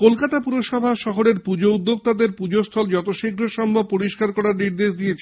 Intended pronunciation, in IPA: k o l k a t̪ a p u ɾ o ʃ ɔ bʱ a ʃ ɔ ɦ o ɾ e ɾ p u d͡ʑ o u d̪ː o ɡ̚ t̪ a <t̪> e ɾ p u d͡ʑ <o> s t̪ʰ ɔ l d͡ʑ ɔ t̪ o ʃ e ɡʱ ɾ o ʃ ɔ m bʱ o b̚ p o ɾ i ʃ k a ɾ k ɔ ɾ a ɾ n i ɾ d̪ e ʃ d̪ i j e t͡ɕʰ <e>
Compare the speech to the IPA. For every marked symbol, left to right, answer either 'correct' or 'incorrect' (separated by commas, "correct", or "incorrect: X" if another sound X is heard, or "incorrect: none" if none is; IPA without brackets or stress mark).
incorrect: d̪, correct, correct